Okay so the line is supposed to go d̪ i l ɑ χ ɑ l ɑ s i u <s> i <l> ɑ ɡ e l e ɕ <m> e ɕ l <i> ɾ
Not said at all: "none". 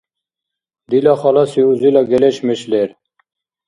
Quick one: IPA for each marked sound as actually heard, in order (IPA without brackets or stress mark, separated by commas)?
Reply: z, l, m, e